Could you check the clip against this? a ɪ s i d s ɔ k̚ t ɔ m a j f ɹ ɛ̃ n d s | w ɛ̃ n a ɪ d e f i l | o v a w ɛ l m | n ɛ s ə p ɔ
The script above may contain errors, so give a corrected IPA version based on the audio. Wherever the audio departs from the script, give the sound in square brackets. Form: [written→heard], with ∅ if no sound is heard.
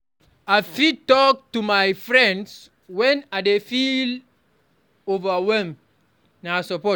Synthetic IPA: a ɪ [s→f] i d [s→t] ɔ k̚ t [ɔ→u] m a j f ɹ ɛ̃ n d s | w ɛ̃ n a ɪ d e f i l | o v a w ɛ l m | n [ɛ→a] s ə p ɔ